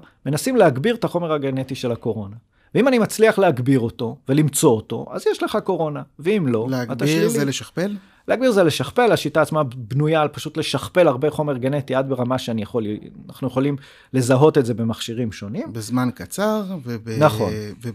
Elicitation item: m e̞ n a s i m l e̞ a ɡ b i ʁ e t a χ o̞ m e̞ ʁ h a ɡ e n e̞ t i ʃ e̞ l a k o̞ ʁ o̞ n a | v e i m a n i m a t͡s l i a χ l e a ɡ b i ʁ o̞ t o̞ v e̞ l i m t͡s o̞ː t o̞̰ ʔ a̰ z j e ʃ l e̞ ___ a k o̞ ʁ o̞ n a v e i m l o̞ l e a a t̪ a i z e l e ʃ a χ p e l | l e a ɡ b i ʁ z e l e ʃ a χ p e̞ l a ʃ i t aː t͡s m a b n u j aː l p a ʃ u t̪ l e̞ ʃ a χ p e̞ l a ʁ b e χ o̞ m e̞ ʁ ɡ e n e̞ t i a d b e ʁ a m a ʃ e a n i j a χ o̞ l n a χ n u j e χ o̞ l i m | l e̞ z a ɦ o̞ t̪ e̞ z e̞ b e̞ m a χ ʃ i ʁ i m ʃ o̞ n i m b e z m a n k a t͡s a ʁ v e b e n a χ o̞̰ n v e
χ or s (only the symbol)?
χ